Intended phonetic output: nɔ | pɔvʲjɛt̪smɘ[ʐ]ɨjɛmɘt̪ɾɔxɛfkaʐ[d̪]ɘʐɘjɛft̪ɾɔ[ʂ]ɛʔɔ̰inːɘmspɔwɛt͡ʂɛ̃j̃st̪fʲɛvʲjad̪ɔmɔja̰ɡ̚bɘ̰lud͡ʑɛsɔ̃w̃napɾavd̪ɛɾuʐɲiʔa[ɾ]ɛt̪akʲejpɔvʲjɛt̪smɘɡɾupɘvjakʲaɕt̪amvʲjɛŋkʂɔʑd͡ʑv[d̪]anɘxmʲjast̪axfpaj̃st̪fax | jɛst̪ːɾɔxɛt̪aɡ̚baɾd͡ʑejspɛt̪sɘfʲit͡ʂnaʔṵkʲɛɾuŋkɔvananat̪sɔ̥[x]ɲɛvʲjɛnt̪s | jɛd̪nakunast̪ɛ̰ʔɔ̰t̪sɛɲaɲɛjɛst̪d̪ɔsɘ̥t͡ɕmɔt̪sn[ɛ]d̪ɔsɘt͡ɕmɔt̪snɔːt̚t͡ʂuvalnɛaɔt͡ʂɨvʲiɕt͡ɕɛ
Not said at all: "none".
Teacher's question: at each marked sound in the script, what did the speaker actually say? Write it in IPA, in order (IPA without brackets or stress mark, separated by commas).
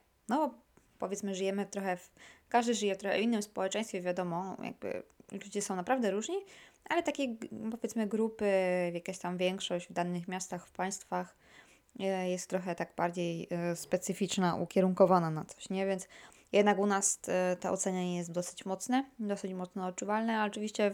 ʐ, d̪, x, l, d̪, ɕ, ɛ